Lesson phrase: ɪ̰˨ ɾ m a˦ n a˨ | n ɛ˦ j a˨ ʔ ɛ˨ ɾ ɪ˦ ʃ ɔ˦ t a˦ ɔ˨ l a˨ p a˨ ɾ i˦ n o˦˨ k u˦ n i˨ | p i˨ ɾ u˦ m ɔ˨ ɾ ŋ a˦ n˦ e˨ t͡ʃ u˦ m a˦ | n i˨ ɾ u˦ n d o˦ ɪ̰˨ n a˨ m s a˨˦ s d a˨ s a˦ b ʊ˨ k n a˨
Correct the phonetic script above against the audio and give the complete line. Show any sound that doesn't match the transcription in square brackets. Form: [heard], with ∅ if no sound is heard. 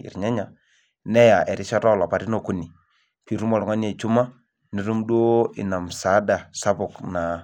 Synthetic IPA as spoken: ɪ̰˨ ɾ [ɲ] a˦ [ɲ] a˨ | n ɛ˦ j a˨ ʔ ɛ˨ ɾ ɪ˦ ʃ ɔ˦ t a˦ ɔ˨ l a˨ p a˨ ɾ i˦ n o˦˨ k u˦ n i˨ | p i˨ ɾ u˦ m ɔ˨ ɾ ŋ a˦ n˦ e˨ t͡ʃ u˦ m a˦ | n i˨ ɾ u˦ [m] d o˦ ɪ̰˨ n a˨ m s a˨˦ [∅] d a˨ s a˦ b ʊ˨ k n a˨